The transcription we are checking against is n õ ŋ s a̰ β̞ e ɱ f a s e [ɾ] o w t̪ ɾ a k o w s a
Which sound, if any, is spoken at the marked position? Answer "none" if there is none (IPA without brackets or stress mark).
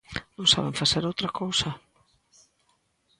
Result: ɾ